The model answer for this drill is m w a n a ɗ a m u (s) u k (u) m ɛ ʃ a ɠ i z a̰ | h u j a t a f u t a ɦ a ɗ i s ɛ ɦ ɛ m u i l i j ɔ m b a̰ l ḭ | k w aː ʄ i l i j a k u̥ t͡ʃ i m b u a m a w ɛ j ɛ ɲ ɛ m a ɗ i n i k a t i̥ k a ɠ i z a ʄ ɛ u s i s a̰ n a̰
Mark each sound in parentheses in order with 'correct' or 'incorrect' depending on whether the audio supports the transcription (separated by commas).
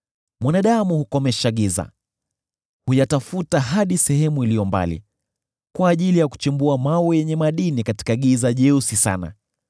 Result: incorrect, incorrect